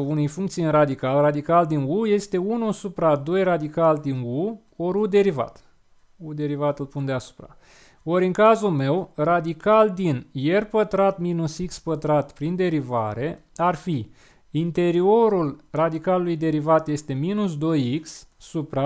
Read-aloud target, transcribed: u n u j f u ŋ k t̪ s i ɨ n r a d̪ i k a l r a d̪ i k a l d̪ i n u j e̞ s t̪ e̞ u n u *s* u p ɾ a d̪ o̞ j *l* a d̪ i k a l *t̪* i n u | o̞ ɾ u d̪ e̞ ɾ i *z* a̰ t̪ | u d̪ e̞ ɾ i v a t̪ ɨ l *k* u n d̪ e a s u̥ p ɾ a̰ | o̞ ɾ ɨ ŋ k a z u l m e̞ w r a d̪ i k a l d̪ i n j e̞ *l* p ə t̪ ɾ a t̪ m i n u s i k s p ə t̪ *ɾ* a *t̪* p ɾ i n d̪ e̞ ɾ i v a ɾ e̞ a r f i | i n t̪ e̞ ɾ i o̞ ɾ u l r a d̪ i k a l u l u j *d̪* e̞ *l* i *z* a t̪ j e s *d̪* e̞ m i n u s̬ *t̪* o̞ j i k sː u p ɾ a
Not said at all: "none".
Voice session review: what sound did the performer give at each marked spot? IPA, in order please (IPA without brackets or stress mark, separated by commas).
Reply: s, r, d̪, v, p, r, ɾ, t̪, d̪, ɾ, v, t̪, d̪